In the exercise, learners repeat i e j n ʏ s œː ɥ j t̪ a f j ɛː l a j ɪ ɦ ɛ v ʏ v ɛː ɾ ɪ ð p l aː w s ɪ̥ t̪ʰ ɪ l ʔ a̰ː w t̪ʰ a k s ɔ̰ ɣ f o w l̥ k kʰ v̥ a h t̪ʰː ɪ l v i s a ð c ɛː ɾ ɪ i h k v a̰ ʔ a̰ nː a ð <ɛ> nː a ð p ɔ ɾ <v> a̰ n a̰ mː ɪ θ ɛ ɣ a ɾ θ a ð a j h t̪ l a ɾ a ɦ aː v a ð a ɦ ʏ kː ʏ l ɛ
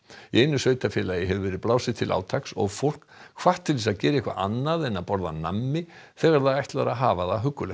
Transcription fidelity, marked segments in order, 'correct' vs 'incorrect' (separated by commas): correct, incorrect